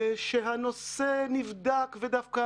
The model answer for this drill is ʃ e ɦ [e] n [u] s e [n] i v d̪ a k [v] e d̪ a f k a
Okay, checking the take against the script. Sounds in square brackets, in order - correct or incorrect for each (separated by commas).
incorrect, incorrect, correct, correct